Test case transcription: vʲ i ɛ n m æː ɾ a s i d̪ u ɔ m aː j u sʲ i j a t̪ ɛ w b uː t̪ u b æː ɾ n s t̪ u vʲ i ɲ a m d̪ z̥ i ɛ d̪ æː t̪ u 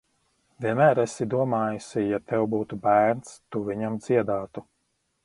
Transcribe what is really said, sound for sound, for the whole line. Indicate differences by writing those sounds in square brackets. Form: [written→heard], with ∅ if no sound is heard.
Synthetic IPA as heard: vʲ i ɛ n m æː ɾ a s i d̪ u ɔ m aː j u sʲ i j a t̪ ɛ w b uː t̪ u b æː ɾ n s t̪ u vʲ i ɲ a m d̪ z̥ i ɛ d̪ [æː→aː] t̪ u